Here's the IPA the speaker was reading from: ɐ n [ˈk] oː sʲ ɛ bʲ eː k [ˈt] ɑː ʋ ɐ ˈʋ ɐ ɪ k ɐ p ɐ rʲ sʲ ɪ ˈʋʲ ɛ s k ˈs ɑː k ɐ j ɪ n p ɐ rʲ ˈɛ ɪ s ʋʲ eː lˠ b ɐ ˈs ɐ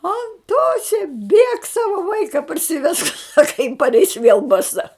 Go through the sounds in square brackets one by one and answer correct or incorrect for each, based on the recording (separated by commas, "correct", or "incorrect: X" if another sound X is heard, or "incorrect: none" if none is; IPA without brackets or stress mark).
incorrect: t, incorrect: s